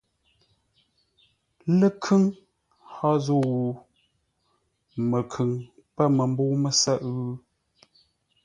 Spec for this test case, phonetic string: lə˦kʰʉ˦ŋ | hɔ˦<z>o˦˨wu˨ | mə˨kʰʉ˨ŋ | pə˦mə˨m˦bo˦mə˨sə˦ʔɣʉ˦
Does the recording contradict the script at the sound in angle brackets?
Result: no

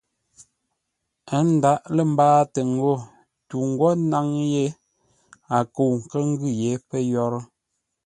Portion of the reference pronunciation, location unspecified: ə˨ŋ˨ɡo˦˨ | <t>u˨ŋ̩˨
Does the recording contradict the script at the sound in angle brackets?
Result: no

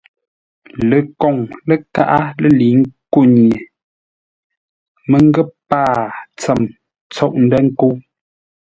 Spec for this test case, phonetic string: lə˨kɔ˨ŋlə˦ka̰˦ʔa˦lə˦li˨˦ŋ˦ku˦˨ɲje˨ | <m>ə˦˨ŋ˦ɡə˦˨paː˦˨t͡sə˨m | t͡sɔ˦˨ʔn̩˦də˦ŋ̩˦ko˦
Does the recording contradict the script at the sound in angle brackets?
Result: no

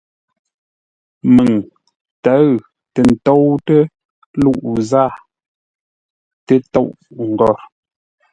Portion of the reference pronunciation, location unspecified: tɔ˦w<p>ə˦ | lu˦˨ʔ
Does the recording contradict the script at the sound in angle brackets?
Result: yes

